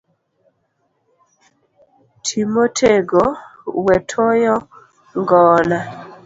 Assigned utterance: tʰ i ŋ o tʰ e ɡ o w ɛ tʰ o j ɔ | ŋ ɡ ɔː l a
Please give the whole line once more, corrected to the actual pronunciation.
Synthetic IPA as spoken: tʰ i m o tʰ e ɡ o w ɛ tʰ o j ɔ | ŋ ɡ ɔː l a